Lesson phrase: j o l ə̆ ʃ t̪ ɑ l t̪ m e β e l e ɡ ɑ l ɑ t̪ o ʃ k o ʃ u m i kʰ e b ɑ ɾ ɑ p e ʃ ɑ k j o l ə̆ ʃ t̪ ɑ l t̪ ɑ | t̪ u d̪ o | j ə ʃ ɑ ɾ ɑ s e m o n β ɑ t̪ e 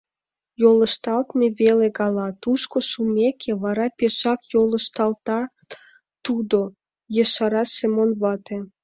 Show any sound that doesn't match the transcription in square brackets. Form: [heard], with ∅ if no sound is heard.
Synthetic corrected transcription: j o l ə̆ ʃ t̪ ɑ l t̪ m e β e l e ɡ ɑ l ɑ t̪ [u] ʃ k o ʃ u m [e] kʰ e [β] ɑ ɾ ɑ p e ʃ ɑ k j o l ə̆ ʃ t̪ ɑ l t̪ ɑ | t̪ u d̪ o | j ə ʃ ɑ ɾ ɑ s e m o n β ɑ t̪ e